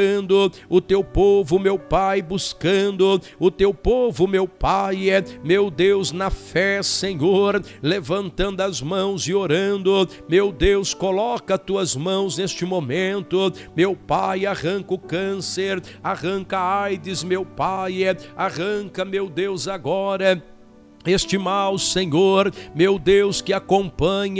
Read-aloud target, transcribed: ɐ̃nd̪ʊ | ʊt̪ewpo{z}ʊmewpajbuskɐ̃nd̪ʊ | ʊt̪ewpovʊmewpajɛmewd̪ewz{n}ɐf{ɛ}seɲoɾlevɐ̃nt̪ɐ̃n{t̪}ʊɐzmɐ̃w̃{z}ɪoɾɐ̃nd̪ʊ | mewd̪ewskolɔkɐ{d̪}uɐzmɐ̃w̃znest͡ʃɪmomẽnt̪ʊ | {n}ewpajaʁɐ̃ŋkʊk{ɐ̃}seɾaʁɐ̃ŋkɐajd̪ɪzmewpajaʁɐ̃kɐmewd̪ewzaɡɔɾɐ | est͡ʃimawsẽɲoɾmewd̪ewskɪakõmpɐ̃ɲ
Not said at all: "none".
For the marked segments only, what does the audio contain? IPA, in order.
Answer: v, n, ɛ, d̪, z, t̪, m, ɐ̃

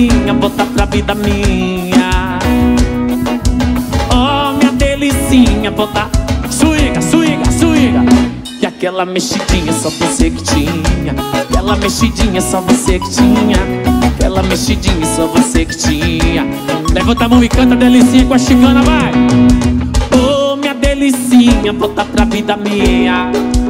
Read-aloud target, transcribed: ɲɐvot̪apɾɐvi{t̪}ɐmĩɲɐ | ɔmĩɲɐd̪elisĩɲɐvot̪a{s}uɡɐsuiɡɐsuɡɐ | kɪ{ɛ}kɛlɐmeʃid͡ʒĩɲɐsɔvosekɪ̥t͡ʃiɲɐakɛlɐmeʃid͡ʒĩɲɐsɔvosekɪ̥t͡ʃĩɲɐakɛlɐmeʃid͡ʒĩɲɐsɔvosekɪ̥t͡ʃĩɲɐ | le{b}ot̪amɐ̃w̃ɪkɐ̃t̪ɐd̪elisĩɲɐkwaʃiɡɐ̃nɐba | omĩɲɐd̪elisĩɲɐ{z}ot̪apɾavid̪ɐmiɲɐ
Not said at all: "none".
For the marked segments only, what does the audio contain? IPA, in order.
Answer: d̪, s, a, v, v

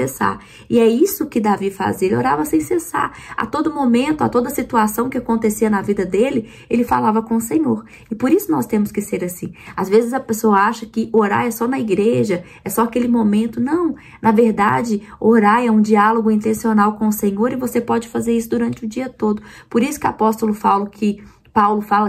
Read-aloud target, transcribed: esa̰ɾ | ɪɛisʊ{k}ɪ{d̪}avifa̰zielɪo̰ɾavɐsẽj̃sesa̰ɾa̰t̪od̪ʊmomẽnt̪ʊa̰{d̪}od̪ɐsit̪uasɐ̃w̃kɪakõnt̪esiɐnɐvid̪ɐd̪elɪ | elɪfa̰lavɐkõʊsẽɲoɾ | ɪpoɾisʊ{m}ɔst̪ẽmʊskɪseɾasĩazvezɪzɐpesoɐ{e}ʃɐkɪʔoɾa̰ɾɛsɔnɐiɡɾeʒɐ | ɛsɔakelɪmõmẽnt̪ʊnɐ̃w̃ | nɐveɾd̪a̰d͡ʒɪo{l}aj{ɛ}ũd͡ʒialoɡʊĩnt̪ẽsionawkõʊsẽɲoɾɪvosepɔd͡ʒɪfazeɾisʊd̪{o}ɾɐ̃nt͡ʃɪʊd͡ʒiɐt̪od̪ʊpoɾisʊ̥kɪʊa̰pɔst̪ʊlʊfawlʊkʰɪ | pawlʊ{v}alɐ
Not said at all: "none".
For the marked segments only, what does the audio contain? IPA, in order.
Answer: k, d̪, t̪, n, a, ɾ, ɛ, u, f

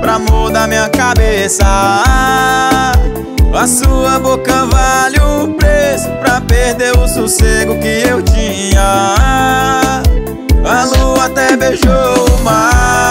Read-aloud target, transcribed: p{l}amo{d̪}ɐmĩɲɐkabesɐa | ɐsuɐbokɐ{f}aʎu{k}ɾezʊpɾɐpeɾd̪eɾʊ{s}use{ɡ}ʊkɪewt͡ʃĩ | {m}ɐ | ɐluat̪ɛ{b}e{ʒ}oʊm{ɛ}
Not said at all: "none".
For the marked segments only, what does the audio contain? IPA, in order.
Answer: ɾ, d̪, v, p, s, ɡ, ɲ, b, ʒ, a

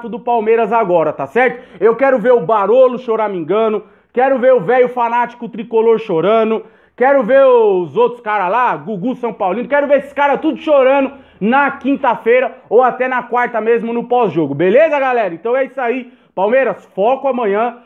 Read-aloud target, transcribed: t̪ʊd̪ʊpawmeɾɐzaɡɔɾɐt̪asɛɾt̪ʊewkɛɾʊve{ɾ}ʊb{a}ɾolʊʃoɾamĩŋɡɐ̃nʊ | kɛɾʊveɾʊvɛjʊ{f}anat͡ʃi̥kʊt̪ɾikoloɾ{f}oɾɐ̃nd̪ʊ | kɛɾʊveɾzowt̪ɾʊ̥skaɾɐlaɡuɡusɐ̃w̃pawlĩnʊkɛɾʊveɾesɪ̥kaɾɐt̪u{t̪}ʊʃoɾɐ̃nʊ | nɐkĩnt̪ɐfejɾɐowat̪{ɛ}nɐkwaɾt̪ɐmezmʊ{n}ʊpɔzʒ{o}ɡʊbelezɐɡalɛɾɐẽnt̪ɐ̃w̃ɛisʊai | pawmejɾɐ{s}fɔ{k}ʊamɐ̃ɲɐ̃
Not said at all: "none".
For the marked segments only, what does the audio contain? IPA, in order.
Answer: ɾ, a, f, ʃ, d̪, ɛ, n, o, s, k

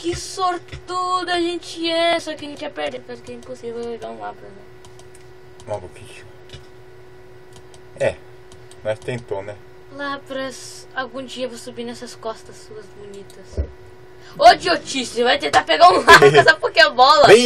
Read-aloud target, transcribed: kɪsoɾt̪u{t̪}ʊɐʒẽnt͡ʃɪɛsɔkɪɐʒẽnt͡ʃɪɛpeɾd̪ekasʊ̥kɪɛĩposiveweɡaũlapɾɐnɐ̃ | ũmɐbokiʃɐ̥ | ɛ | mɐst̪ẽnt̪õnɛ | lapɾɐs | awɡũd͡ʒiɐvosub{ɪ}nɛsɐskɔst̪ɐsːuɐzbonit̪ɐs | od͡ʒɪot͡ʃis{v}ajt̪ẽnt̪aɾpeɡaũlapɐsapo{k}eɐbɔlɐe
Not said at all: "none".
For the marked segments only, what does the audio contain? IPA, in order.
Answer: d̪, i, v, k

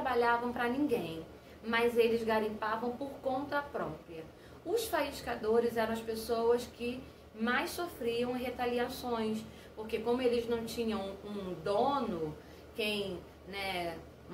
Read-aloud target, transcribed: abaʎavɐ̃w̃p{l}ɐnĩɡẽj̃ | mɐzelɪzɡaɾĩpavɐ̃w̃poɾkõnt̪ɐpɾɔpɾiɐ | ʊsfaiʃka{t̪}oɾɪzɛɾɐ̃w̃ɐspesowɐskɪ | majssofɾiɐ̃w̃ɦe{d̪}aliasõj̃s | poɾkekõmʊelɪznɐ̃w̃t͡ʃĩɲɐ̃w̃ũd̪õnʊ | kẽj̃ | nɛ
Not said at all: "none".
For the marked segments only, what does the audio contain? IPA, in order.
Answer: ɾ, d̪, t̪

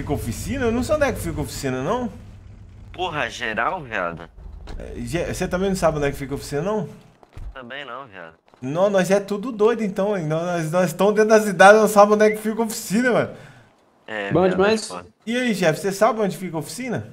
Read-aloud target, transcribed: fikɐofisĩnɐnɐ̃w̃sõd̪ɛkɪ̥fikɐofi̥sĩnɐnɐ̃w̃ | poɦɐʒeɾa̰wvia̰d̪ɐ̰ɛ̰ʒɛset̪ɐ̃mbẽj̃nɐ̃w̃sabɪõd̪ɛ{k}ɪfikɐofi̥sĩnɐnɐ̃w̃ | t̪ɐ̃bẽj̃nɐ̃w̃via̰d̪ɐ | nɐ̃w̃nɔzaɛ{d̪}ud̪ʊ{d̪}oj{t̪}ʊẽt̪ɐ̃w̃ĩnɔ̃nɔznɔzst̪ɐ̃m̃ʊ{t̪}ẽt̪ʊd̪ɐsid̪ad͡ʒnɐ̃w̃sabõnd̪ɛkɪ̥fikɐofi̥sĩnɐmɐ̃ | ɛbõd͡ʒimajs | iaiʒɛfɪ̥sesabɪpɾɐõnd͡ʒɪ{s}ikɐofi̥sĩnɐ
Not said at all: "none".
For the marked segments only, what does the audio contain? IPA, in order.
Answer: k, t̪, d̪, d̪, d̪, f

